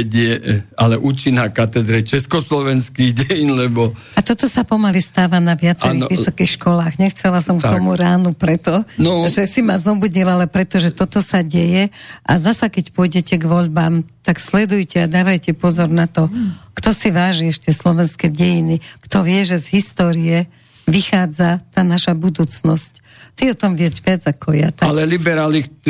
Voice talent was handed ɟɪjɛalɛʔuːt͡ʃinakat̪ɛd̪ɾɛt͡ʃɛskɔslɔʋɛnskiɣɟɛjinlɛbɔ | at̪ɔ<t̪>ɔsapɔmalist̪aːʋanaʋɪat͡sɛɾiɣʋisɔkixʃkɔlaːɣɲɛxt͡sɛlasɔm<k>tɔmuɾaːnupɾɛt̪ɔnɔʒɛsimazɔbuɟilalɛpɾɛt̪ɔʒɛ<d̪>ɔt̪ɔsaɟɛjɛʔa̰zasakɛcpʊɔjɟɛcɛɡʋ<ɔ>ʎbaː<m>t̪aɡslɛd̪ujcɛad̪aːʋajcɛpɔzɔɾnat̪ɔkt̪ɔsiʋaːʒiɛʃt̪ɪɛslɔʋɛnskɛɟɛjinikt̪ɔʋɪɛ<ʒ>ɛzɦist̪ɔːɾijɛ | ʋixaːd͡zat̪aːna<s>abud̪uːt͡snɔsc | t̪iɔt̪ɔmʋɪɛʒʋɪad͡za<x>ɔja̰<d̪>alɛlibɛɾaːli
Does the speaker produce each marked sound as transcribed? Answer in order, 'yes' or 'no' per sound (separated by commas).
yes, yes, no, yes, yes, yes, no, no, no